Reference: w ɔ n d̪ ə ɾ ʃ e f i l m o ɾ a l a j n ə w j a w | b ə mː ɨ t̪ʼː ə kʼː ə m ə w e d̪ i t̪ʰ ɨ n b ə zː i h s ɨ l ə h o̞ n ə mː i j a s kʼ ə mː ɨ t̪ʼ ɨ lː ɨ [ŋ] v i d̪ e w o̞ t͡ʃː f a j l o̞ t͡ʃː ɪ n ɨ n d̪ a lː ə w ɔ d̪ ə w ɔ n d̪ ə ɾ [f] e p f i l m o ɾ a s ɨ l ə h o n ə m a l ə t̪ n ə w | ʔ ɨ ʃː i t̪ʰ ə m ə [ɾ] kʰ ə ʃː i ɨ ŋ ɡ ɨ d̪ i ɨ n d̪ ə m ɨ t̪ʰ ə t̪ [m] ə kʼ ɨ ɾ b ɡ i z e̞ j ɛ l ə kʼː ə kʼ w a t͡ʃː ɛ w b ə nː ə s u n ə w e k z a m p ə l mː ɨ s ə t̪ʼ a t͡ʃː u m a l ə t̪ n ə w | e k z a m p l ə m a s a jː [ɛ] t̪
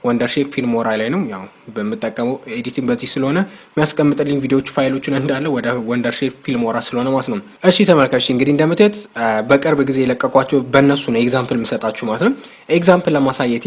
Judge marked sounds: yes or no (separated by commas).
no, no, no, no, yes